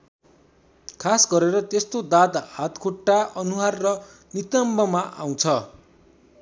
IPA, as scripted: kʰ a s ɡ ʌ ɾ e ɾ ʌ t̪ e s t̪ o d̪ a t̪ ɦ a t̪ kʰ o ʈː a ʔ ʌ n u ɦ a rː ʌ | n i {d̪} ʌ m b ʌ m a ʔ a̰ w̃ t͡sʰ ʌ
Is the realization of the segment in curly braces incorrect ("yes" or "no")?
yes